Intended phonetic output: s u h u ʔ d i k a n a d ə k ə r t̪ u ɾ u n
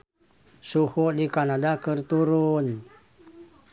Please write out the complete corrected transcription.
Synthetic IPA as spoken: s u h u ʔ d i k a n a d a k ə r t̪ u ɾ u n